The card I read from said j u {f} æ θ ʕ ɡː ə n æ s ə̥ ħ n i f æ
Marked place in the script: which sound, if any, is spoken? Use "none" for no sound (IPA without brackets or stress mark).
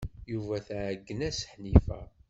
v